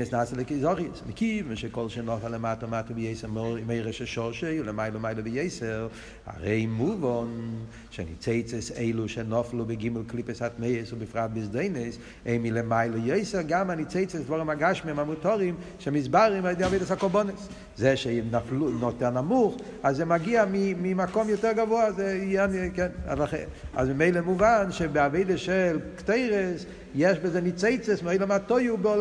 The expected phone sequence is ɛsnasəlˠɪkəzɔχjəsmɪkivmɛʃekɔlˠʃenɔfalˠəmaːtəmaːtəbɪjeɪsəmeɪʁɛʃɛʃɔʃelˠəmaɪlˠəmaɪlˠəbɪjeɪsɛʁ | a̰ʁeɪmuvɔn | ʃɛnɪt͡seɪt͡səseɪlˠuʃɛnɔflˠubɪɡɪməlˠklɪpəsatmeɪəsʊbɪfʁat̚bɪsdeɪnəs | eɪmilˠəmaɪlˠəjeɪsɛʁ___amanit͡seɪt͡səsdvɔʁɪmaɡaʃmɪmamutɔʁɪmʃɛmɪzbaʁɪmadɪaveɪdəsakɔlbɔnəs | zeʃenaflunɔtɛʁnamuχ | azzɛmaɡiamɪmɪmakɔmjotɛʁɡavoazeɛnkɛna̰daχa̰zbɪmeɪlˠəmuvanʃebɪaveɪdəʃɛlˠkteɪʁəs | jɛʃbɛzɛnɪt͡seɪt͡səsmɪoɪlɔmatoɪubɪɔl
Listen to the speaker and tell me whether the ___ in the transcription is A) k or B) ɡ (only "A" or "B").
B